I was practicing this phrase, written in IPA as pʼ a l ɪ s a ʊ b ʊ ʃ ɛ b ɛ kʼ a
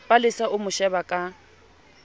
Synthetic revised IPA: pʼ a l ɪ s a ʊ m ʊ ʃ ɛ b a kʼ a